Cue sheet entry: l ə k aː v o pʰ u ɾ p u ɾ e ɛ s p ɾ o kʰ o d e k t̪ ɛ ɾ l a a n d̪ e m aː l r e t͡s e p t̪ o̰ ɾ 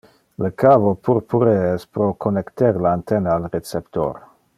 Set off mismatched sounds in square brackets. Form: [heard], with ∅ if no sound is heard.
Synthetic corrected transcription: l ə k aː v o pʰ u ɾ p u ɾ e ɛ s p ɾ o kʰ o [n] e k t̪ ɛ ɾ l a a n [t̪] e [n] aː l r e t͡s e p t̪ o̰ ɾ